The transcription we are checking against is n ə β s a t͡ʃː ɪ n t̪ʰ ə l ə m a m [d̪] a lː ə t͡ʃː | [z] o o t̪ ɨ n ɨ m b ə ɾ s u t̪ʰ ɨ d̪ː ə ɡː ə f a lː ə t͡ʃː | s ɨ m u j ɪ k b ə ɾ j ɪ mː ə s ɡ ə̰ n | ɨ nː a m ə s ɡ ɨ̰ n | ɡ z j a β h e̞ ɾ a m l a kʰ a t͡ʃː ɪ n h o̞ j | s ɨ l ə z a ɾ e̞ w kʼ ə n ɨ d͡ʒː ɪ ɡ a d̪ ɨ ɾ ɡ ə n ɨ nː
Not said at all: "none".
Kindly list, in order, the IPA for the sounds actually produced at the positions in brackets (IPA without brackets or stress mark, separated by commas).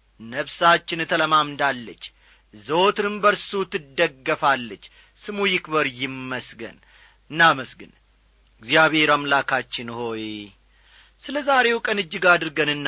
d̪, z